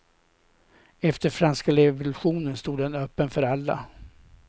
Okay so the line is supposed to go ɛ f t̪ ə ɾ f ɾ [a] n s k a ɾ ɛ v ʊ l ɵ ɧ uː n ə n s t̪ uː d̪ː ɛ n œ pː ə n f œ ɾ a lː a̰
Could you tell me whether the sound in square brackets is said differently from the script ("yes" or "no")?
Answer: no